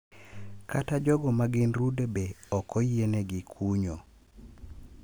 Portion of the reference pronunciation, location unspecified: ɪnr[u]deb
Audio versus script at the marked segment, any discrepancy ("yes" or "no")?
no